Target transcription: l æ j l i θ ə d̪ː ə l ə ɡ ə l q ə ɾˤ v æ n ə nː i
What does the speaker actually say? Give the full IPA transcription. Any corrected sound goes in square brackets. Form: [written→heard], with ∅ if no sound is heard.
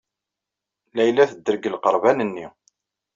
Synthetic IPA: l æ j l [i→æ] θ ə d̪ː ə [l→ɾ] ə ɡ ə l q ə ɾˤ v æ n ə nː i